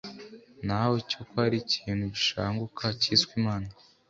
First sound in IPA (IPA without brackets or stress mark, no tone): n